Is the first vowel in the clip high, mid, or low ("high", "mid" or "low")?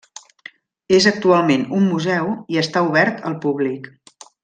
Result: mid